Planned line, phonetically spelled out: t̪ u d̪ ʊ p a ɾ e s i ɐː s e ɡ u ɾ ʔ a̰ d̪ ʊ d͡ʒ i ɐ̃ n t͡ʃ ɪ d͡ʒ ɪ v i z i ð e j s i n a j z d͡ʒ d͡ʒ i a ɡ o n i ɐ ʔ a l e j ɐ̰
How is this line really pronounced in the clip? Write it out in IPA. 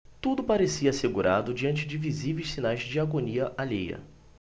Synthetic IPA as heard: t̪ u d̪ ʊ p a ɾ e s i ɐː s e ɡ u ɾ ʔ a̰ d̪ ʊ d͡ʒ i ɐ̃ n t͡ʃ ɪ d͡ʒ ɪ v i z i v e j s i n a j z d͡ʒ d͡ʒ i a ɡ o n i ɐ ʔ a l e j ɐ̰